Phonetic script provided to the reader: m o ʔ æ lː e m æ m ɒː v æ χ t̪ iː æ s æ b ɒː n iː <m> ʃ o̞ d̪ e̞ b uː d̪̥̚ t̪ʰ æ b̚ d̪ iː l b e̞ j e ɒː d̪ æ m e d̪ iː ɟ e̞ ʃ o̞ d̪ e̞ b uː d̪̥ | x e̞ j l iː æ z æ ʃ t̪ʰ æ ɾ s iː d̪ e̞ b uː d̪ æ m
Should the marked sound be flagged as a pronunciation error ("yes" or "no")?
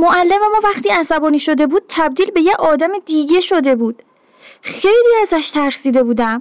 yes